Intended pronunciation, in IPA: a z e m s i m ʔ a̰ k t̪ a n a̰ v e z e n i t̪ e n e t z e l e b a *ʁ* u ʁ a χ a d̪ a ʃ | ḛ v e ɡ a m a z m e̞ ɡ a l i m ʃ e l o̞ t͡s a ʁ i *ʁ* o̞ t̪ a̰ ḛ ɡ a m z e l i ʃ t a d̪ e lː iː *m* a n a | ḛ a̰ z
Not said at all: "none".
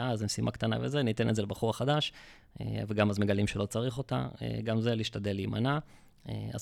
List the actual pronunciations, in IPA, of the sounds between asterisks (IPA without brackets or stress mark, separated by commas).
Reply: χ, χ, m